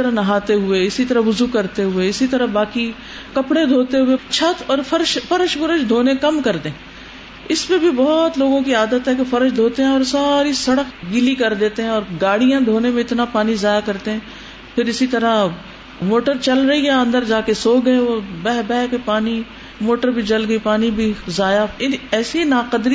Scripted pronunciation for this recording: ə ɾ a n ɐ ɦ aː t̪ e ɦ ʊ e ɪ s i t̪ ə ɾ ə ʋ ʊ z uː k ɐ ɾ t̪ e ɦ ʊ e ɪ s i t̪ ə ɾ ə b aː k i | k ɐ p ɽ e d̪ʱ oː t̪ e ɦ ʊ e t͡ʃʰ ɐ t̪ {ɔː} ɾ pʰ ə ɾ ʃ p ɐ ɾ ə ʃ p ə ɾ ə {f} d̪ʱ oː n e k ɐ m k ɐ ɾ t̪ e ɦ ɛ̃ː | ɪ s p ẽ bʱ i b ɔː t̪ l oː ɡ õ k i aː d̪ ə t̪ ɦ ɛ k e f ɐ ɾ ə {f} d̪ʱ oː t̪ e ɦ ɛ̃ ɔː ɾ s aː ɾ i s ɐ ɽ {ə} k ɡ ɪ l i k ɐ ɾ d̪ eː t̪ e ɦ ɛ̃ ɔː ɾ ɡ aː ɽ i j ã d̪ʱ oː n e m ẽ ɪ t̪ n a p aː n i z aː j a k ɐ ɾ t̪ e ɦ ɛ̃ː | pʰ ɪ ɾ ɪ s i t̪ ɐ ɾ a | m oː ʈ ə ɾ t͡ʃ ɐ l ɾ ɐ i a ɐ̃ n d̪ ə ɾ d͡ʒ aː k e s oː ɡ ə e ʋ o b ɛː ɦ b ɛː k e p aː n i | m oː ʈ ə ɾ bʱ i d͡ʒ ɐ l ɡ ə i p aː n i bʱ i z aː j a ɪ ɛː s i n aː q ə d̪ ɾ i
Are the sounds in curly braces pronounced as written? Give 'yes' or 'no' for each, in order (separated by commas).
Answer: yes, no, no, yes